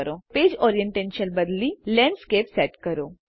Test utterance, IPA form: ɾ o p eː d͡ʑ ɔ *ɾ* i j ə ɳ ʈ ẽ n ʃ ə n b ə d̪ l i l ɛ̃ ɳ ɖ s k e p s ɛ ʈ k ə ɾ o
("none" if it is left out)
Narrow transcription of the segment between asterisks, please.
ɾ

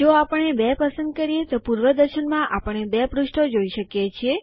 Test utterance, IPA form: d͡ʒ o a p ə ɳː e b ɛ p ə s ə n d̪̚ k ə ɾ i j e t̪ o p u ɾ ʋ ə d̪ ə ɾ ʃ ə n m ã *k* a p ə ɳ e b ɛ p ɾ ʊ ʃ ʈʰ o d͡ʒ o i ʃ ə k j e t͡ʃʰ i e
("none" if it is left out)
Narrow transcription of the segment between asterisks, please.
ʔ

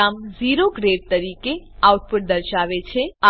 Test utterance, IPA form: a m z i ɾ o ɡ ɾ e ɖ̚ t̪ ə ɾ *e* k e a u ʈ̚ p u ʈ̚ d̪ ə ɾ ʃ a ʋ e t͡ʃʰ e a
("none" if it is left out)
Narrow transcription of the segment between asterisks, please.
i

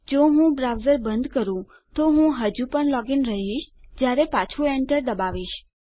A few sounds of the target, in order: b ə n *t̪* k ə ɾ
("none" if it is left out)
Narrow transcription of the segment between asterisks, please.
d̪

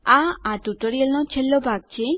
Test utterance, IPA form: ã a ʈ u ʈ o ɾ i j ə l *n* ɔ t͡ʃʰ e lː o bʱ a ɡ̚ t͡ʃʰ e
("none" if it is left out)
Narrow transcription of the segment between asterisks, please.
n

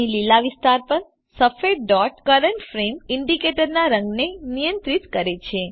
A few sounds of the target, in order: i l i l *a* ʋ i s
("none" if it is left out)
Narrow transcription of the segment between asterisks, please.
a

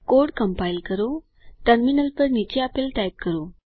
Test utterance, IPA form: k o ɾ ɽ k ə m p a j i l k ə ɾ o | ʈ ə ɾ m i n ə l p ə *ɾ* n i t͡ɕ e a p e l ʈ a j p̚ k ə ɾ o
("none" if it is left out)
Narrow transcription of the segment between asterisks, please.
ɾ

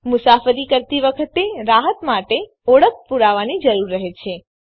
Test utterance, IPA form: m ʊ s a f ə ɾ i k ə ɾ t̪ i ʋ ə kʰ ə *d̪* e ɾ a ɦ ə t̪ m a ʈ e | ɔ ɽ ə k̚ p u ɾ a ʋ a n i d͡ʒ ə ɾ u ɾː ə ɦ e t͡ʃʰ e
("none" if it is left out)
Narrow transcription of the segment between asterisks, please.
t̪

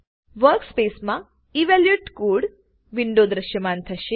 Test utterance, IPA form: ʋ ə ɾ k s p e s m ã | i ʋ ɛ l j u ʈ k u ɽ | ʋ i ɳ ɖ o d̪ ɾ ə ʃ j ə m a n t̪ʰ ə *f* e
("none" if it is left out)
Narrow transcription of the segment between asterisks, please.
ʃ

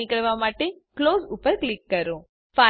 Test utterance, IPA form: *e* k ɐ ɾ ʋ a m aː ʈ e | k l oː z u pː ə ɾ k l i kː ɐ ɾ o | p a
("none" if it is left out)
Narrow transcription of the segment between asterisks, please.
i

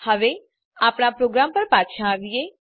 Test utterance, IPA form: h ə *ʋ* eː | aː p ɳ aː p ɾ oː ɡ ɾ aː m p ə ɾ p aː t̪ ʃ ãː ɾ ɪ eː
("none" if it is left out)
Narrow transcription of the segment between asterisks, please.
ʋ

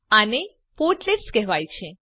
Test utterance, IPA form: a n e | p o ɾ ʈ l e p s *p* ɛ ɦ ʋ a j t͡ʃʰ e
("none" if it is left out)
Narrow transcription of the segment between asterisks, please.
k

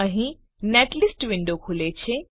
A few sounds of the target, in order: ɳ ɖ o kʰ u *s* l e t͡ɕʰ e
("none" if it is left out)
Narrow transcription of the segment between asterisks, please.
none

